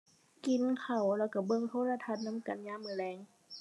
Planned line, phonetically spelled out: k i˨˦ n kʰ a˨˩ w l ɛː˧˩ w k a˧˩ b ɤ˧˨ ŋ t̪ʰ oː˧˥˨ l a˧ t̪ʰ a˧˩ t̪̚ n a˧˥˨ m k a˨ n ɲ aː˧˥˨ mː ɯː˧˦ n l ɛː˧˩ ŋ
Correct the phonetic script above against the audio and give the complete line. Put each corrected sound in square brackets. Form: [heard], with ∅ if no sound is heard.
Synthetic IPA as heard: k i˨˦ n kʰ a˨˩ w l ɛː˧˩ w k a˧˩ b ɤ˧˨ ŋ t̪ʰ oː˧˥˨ l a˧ t̪ʰ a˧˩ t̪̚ n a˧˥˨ m k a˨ n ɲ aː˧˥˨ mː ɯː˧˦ [∅] l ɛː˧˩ ŋ